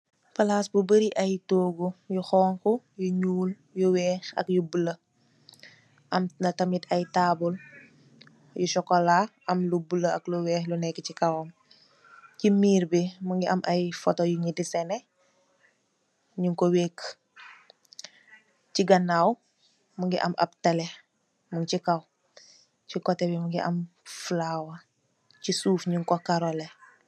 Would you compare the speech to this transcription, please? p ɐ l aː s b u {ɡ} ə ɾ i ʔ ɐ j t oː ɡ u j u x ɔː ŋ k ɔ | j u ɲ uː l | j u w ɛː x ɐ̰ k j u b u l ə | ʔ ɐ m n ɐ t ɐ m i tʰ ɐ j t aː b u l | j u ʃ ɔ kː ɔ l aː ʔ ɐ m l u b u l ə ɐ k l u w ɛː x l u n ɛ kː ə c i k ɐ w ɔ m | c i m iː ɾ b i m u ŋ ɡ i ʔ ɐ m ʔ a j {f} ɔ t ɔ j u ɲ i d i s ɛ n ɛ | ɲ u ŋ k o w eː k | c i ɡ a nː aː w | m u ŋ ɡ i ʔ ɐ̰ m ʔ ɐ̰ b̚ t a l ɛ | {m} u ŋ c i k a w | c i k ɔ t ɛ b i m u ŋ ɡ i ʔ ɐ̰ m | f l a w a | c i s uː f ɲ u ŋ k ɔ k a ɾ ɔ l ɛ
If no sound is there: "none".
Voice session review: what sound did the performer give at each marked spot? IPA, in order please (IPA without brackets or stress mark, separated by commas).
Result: b, f, m